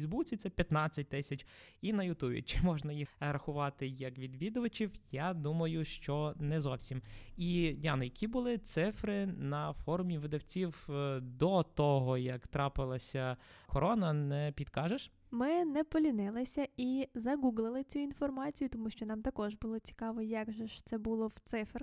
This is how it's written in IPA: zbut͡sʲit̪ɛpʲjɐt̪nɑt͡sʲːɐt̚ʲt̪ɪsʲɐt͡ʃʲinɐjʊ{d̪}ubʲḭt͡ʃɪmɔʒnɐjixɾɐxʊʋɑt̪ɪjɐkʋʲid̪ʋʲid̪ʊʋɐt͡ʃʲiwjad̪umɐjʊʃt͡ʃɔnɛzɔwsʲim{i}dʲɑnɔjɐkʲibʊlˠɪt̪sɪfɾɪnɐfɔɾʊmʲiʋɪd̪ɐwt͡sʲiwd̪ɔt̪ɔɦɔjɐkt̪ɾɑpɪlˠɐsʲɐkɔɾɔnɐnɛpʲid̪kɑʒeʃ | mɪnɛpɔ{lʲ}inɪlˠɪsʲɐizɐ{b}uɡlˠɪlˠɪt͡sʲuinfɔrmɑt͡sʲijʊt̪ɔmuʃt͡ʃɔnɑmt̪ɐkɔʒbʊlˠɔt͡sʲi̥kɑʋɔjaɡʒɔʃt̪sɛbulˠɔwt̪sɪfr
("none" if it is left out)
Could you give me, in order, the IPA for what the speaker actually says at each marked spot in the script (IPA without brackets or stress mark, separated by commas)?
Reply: t̪, i, lʲ, ɡ